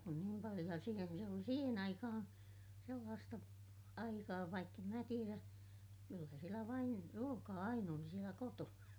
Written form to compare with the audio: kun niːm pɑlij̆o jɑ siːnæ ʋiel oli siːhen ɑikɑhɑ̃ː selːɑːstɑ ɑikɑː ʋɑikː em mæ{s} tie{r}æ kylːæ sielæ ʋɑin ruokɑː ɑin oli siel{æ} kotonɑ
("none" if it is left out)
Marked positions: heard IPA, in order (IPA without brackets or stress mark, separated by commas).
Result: none, r, æ